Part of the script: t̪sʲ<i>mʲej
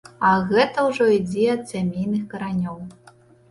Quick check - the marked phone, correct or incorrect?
incorrect